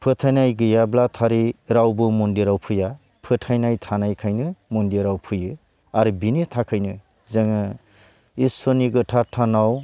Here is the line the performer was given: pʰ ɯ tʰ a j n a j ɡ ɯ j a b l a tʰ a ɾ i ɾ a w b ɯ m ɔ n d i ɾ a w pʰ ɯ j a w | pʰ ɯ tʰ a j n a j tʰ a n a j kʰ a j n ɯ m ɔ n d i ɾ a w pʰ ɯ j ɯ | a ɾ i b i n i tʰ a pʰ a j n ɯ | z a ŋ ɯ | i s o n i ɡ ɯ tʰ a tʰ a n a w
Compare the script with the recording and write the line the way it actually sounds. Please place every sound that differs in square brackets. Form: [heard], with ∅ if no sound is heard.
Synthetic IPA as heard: pʰ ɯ tʰ a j n a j ɡ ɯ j a b l a tʰ a ɾ i ɾ a w b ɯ m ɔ n d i ɾ a w pʰ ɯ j a [∅] | pʰ ɯ tʰ a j n a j tʰ a n a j kʰ a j n ɯ m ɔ n d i ɾ a w pʰ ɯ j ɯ | a ɾ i b i n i tʰ a [kʰ] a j n ɯ | z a ŋ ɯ | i s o n i ɡ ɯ tʰ a tʰ a n a w